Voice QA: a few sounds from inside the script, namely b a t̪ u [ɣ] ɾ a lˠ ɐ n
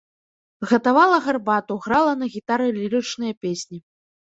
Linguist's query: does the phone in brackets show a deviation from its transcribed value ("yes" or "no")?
no